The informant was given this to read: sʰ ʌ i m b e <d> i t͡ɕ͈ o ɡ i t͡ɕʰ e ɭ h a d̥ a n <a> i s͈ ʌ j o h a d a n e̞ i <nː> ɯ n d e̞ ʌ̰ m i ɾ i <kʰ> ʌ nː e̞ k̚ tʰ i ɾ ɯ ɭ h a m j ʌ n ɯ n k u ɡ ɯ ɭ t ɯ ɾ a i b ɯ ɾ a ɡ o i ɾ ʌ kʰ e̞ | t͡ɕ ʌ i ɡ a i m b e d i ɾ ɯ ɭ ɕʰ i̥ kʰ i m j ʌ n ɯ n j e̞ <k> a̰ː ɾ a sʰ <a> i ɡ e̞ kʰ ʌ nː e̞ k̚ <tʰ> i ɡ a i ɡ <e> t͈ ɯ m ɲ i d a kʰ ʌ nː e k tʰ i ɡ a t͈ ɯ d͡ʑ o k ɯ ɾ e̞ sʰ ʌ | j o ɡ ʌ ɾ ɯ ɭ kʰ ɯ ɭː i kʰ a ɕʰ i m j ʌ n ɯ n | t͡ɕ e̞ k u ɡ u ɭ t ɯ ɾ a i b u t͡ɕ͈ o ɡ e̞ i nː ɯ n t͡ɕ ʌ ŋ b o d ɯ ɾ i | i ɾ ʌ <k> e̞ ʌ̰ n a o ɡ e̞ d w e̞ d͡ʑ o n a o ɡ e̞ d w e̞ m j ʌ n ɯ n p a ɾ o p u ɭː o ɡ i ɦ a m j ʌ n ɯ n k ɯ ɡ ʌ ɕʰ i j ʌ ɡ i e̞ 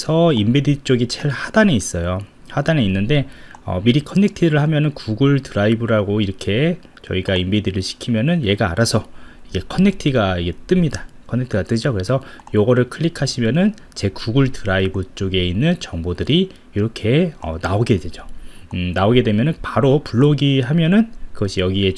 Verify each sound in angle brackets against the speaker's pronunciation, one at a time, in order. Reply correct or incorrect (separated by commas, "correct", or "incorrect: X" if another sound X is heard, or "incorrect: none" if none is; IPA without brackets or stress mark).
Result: correct, incorrect: e, correct, correct, incorrect: ɡ, incorrect: ʌ, correct, correct, incorrect: kʰ